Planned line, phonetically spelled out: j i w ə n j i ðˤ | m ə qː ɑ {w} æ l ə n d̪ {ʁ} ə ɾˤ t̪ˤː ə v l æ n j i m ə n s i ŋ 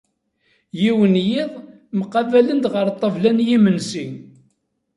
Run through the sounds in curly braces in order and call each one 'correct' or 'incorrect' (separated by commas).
incorrect, correct